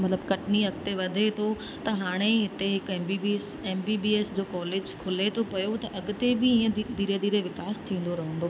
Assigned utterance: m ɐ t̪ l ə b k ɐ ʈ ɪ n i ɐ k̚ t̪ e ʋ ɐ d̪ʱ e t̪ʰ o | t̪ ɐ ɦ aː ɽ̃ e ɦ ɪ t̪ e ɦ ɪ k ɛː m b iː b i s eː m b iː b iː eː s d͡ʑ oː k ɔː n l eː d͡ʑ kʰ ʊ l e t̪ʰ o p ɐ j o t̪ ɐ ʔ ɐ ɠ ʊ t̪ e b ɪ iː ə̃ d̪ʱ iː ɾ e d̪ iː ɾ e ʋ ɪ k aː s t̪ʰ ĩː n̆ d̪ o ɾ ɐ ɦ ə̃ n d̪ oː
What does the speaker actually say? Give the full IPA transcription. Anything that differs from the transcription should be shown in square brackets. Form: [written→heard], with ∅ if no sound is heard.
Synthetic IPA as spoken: m ɐ t̪ l ə b k ɐ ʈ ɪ n i ɐ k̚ t̪ e ʋ ɐ d̪ʱ e t̪ʰ o | t̪ ɐ ɦ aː ɽ̃ e ɦ ɪ t̪ e ɦ ɪ k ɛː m b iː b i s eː m b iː b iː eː s d͡ʑ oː k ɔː [n→∅] l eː d͡ʑ kʰ ʊ l e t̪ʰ o p ɐ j o t̪ ɐ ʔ ɐ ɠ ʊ t̪ e b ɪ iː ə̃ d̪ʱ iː ɾ e d̪ iː ɾ e ʋ ɪ k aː s t̪ʰ ĩː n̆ d̪ o ɾ ɐ ɦ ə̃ n d̪ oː